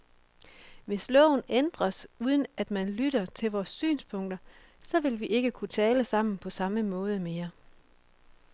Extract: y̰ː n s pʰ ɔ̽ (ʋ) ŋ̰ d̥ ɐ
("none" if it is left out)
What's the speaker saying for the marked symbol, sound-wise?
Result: none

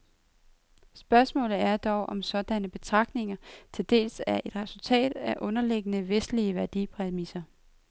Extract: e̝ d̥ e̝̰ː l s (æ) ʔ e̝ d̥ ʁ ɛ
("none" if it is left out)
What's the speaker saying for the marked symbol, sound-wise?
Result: æ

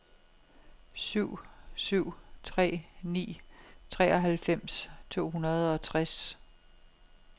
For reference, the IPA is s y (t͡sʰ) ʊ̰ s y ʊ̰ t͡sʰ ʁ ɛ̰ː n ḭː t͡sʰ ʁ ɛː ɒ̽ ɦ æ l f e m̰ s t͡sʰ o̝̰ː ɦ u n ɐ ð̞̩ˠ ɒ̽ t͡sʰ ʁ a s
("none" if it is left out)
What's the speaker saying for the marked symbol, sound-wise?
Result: none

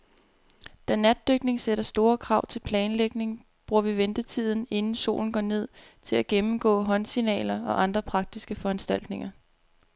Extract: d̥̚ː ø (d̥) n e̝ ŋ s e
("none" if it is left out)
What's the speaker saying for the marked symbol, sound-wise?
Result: ɡ̥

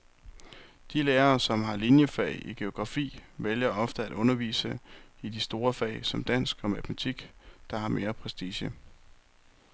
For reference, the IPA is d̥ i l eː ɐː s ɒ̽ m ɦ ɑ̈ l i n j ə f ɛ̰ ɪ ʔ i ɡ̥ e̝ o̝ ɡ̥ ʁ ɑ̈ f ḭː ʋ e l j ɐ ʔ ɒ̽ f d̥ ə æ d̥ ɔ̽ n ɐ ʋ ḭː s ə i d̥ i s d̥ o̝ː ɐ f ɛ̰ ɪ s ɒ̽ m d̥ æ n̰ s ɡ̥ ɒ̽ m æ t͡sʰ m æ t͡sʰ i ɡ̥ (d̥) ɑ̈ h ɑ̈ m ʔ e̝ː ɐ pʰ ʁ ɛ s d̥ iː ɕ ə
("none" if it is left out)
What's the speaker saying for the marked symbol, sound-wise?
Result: d̥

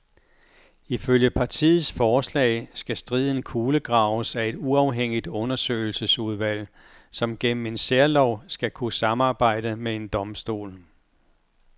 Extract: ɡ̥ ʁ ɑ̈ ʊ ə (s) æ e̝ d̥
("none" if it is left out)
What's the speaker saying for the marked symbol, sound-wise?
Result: s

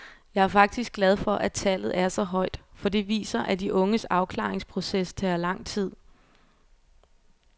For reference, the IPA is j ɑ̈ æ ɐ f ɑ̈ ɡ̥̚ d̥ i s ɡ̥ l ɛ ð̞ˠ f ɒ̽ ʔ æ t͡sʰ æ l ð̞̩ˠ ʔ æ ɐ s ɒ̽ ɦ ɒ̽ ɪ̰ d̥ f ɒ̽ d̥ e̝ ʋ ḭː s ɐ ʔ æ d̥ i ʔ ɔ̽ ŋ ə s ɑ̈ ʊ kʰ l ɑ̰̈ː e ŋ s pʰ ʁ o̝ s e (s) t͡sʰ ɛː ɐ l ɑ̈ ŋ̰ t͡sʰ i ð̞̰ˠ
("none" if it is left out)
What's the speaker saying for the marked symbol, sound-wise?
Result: s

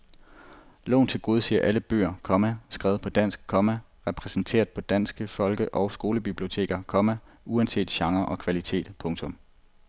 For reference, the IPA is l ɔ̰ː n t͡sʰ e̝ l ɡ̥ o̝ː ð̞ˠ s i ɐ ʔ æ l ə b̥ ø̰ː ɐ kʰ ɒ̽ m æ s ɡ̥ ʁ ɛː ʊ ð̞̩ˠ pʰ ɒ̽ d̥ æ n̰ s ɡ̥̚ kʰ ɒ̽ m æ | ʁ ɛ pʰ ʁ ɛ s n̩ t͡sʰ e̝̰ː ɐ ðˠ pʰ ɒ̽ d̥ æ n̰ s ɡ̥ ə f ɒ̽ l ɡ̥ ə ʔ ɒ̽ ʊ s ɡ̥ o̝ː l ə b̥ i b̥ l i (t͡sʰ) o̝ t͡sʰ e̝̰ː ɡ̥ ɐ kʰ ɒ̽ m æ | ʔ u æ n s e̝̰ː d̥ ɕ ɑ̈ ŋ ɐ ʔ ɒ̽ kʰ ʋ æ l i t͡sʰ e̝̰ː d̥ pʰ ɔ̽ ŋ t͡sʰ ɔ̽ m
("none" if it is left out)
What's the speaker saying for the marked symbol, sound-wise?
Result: none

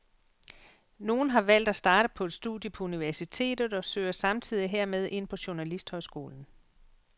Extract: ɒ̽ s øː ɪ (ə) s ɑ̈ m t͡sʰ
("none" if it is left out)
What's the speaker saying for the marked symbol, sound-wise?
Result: ɐ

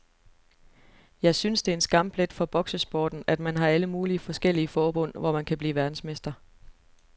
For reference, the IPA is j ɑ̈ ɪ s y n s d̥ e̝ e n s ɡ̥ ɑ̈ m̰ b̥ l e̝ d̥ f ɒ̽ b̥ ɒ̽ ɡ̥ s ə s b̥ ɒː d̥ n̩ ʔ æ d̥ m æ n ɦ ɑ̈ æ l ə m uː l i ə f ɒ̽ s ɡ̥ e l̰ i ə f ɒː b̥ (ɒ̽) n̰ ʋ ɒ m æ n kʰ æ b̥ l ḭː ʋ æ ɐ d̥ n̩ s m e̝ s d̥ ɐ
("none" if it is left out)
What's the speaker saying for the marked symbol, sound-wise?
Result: ɔ̽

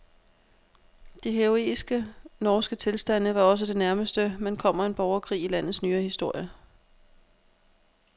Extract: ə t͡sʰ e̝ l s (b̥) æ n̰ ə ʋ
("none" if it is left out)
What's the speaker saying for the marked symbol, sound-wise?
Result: d̥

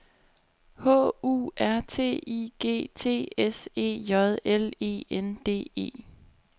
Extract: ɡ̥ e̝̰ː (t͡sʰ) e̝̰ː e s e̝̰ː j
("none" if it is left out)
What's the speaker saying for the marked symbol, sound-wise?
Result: t͡sʰ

